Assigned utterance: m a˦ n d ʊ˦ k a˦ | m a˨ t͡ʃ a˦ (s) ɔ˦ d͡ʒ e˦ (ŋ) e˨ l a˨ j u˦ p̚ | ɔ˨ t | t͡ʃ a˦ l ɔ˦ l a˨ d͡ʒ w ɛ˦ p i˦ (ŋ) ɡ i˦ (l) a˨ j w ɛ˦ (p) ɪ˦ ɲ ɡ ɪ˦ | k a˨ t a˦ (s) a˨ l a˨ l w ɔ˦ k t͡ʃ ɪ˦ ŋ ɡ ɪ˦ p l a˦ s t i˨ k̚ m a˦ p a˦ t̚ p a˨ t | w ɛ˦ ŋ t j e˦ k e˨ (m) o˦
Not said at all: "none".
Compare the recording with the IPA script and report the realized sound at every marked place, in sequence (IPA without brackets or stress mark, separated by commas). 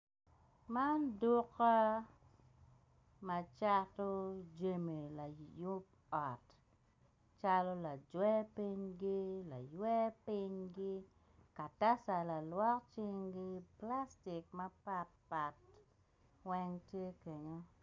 t, m, ɲ, l, p, s, ɲ